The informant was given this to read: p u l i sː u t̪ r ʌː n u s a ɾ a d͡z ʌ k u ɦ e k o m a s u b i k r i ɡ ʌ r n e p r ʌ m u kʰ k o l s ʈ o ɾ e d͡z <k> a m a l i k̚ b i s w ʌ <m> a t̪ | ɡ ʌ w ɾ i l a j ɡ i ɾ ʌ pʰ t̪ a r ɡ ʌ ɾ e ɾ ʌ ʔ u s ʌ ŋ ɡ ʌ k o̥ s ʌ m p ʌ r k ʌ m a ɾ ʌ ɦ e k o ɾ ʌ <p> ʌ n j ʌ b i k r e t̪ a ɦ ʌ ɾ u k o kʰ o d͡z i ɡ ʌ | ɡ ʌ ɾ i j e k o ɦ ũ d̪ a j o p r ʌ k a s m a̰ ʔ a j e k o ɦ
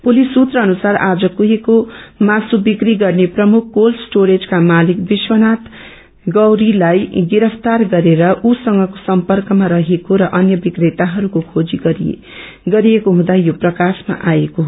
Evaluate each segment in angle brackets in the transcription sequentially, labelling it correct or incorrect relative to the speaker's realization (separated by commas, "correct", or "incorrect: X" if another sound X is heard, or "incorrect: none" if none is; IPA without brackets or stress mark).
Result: correct, incorrect: n, incorrect: ʔ